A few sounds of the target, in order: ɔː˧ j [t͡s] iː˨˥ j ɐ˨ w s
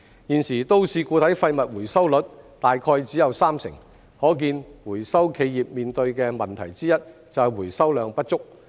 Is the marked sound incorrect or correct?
correct